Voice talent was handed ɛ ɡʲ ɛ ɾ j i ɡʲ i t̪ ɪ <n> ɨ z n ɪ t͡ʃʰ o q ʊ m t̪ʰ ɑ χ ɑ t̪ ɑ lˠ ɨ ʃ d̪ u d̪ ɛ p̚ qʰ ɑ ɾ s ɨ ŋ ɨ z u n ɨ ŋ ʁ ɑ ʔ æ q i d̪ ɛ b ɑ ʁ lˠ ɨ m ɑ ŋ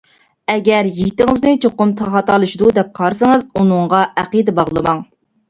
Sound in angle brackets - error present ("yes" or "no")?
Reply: yes